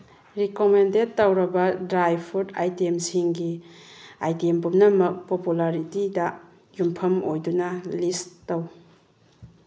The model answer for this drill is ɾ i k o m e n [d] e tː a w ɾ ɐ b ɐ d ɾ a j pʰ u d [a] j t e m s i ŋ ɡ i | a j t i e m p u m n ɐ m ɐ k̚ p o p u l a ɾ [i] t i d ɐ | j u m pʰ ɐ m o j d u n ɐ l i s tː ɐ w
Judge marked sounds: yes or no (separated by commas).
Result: yes, yes, yes